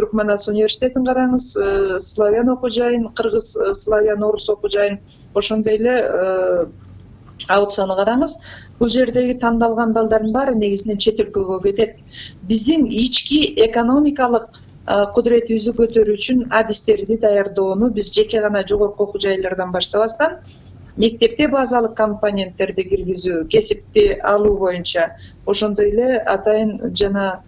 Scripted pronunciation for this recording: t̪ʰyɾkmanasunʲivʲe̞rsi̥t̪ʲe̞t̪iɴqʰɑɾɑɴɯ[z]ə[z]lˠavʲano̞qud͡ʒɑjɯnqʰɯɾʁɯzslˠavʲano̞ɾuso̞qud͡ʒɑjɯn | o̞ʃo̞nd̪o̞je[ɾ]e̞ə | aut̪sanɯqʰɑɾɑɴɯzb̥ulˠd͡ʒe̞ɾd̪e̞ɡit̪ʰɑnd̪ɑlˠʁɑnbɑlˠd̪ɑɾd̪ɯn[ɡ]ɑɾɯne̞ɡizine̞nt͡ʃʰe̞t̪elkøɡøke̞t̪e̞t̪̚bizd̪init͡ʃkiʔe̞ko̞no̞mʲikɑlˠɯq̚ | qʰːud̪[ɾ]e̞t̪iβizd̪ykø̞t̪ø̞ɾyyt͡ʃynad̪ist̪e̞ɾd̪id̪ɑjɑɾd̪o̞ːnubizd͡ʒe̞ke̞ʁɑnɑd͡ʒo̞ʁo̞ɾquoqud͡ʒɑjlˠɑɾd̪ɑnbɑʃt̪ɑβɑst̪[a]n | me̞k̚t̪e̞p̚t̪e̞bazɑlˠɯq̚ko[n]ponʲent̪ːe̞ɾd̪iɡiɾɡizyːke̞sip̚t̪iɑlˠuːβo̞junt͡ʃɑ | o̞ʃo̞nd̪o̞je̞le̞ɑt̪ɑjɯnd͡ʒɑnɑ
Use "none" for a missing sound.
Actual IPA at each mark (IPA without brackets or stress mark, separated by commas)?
z, s, l, b, ɾ, ɑ, m